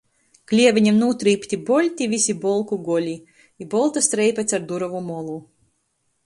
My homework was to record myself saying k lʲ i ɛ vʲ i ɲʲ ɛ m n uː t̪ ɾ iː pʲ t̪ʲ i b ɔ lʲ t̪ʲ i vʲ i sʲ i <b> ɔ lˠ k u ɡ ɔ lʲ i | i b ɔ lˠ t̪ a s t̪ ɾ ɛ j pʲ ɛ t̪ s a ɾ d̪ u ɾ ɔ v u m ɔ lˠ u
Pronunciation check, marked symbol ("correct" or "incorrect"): correct